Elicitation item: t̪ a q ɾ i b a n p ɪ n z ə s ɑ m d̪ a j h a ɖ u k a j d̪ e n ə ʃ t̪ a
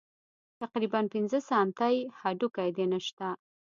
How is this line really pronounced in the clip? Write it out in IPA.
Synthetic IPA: t̪ a q ɾ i b a n p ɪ n z ə s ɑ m t̪ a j h a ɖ u k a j d̪ e n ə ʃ t̪ a

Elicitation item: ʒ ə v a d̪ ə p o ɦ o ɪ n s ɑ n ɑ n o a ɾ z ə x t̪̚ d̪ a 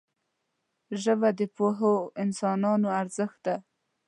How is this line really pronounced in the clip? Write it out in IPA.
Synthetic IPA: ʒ ə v a d̪ ə p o ɦ o ɪ n s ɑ n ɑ n o a ɾ z ə x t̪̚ d̪ a

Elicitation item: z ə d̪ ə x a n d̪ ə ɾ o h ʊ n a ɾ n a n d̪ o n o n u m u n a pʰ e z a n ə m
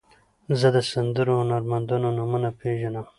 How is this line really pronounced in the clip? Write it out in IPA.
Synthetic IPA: z ə d̪ ə s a n d̪ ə ɾ o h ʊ n a ɾ m a n d̪ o n o n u m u n a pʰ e ʒ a n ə m

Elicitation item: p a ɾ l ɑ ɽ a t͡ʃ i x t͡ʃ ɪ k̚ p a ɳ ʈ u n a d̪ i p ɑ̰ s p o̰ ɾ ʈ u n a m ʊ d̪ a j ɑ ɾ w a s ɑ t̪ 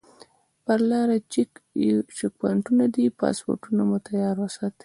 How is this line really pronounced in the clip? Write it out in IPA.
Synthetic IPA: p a ɾ l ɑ ɾ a t͡ʃ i k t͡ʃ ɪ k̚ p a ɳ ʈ u n a d̪ i p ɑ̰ s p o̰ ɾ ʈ u n a m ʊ t̪ a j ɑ ɾ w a s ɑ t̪

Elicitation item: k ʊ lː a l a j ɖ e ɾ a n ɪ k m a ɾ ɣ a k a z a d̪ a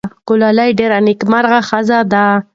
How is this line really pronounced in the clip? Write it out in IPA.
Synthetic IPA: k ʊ l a l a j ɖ e ɾ a n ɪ k m a ɾ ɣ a x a z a d̪ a

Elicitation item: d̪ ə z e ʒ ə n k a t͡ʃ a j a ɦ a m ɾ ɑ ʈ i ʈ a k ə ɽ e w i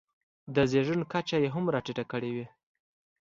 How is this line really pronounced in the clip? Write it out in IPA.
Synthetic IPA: d̪ ə z e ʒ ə n k a t͡ʃ a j e ɦ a m ɾ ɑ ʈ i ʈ a k ə ɽ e w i

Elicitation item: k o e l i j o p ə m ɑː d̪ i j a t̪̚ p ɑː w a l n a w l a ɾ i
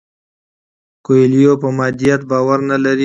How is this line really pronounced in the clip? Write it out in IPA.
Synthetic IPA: k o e l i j o p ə m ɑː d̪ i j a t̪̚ b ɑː w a ɾ n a l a ɾ i

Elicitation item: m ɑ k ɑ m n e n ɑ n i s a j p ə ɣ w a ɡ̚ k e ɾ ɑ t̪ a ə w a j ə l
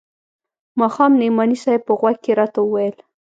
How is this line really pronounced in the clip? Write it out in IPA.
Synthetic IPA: m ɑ x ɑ m n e m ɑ n i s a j p ə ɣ w a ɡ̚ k e ɾ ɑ t̪ a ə w a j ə l

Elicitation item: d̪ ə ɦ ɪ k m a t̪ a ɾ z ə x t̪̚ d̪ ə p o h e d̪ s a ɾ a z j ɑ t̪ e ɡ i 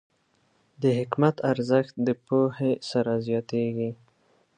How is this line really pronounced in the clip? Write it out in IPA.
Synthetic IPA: d̪ ə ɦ ɪ k m a t̪ a ɾ z ə x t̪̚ d̪ ə p o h e s a ɾ a z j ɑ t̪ e ɡ i

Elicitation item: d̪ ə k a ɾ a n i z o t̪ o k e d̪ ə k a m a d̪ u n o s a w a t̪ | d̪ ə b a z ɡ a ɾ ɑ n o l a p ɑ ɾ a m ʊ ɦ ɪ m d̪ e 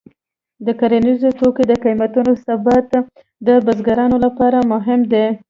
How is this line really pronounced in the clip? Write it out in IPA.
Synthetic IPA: d̪ ə k a ɾ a n i z o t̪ o k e d̪ ə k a m a t̪ u n o s a b a t̪ | d̪ ə b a z ɡ a ɾ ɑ n o l a p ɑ ɾ a m ʊ ɦ ɪ m d̪ e

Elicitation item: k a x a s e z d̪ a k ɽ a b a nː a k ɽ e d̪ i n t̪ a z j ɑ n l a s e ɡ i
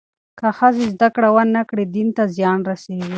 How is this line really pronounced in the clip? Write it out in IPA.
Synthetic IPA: k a x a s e z d̪ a k ɽ a w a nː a k ɽ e d̪ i n t̪ a z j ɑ n ɾ a s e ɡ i

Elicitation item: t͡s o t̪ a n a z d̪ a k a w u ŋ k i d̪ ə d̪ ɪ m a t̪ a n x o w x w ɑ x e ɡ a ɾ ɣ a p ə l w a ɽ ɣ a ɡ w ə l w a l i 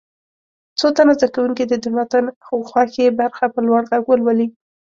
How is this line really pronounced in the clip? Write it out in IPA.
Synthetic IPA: t͡s o t̪ a n a z d̪ a k a w u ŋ k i d̪ ə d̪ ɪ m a t̪ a n x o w x w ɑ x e b a ɾ x a p ə l w a ɽ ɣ a ɡ w ə l w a l i

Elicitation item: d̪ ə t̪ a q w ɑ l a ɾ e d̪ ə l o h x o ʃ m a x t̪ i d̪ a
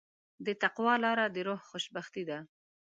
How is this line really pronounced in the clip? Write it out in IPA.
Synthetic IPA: d̪ ə t̪ a q w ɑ l ɑ ɾ a d̪ ə ɾ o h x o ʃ b a x t̪ i d̪ a

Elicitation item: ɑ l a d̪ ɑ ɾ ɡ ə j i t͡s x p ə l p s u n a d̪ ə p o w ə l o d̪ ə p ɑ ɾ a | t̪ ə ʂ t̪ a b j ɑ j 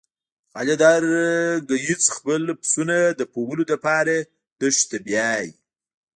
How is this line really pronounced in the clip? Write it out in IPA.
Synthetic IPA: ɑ l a d̪ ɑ ɾ ɡ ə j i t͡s x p ə l p s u n a d̪ ə p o w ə l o d̪ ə p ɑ ɾ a | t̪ ə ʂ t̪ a b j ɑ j

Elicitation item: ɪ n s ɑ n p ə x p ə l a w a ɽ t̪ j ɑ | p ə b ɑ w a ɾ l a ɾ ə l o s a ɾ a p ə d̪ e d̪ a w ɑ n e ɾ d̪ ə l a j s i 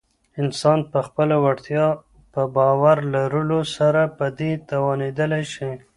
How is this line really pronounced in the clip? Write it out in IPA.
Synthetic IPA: ɪ n s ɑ n p ə x p ə l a w a ɽ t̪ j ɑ | p ə b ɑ w a ɾ l a ɾ ə l o s a ɾ a p ə d̪ e t̪ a w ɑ n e d̪ ə l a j ʃ i

